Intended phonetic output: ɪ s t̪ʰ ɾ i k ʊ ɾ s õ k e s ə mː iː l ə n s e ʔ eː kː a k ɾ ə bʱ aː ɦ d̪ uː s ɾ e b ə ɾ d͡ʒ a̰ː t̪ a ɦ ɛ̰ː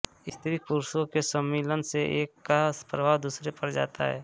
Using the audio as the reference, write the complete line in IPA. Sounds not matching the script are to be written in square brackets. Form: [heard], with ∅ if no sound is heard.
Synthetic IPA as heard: ɪ s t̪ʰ ɾ i k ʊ ɾ s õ k e s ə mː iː l ə n s e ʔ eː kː a [p] ɾ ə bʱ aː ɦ d̪ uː s ɾ e [p] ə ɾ d͡ʒ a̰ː t̪ a ɦ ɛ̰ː